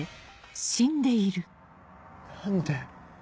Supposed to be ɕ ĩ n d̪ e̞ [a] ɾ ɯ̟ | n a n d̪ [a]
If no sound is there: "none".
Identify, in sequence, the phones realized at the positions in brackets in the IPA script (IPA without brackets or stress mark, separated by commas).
i, e